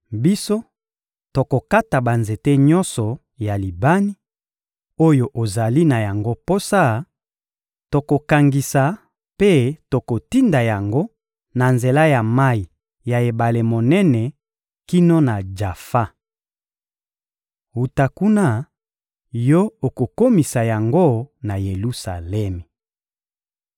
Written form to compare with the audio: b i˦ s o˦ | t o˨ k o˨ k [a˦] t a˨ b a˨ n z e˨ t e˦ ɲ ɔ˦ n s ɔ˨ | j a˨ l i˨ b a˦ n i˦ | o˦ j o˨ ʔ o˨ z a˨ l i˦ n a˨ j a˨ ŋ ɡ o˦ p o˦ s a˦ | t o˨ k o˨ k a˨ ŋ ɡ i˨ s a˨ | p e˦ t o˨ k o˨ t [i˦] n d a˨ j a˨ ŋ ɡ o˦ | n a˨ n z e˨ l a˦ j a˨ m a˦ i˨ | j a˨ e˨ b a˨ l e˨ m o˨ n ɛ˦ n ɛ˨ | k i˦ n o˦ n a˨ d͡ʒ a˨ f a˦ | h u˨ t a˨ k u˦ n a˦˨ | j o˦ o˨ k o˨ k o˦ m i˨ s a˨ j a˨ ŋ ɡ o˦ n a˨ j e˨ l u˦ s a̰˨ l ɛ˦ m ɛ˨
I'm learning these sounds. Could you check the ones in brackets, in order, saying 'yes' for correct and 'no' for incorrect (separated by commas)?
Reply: yes, yes